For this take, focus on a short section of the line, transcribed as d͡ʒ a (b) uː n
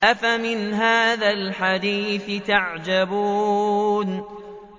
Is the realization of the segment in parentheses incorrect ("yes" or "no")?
no